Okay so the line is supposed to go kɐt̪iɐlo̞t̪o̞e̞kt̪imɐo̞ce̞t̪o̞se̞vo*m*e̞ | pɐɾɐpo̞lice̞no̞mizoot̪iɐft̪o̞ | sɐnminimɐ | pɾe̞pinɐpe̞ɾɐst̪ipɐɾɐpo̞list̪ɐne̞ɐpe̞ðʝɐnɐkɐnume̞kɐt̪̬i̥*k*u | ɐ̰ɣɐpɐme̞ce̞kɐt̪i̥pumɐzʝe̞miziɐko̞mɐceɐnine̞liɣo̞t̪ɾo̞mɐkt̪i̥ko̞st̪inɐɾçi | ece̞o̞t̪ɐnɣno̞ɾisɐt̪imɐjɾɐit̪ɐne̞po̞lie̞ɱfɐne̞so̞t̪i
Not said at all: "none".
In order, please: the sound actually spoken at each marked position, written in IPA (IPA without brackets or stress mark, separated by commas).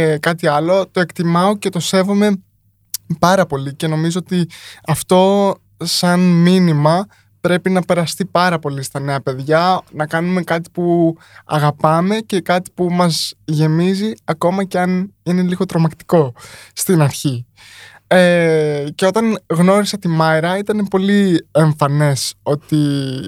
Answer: m, p